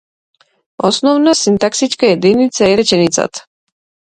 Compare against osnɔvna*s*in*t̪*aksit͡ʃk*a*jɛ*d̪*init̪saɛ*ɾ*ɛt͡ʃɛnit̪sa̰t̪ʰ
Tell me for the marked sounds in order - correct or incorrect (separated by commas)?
correct, correct, correct, correct, correct